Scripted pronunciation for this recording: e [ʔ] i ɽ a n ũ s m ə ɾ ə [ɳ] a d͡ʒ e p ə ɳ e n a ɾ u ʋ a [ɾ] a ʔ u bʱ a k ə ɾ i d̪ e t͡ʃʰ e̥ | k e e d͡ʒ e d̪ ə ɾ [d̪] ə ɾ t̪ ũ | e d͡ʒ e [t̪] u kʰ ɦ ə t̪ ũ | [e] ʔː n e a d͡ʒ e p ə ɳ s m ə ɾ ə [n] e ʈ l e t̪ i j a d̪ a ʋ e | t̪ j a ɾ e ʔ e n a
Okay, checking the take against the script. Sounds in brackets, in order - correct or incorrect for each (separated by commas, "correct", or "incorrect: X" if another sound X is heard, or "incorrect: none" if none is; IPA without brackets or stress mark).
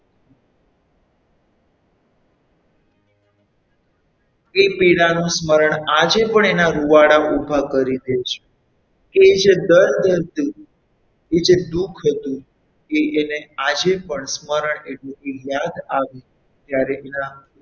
incorrect: p, correct, incorrect: ɽ, correct, incorrect: d̪, correct, incorrect: ɳ